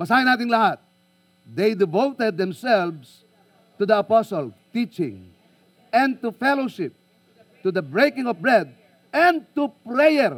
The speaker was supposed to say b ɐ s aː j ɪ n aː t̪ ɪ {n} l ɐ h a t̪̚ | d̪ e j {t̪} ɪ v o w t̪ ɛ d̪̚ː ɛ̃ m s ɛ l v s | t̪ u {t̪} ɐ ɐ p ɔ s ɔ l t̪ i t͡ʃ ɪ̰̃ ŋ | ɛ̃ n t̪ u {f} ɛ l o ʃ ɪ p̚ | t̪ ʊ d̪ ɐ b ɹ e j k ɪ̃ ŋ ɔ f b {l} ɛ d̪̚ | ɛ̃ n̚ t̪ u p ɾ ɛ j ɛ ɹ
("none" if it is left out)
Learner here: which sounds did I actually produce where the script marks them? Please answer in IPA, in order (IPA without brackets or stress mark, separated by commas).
ŋ, d̪, d̪, f, ɹ